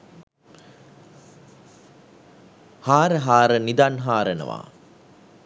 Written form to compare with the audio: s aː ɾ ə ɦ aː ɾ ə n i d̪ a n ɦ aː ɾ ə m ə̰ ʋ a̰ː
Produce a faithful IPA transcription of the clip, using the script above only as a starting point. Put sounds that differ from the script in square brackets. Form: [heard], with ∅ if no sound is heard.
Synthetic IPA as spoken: [h] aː ɾ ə ɦ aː ɾ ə n i d̪ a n ɦ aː ɾ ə [n] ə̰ ʋ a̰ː